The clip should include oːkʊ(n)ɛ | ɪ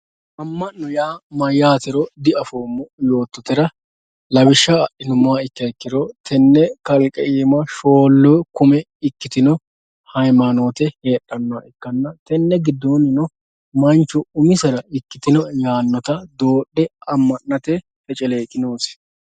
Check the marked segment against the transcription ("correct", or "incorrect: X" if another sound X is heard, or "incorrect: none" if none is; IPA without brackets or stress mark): incorrect: m